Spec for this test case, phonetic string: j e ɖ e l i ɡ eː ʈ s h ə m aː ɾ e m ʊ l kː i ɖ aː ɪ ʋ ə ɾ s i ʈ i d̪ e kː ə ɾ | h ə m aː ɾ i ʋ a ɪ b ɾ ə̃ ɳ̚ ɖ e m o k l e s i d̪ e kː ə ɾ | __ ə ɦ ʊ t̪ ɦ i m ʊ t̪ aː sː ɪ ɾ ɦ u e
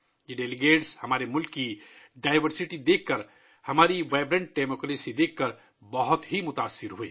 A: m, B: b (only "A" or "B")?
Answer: B